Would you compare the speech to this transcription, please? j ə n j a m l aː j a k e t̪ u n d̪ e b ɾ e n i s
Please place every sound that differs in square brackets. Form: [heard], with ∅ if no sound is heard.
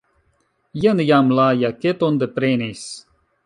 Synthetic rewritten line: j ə n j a m l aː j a k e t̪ [o] n d̪ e [p] ɾ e n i s